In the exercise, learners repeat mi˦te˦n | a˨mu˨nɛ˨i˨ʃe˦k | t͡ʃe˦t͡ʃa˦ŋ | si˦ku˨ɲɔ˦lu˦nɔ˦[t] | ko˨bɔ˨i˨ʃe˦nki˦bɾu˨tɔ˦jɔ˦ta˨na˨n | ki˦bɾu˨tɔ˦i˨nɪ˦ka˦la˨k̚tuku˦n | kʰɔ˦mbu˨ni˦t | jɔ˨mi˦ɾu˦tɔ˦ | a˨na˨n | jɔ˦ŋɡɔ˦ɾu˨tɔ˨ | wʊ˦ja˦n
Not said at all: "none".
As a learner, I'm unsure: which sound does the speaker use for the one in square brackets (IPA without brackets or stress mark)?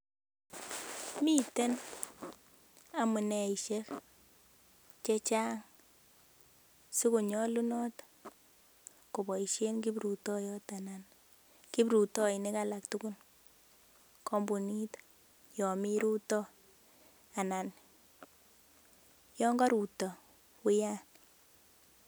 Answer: t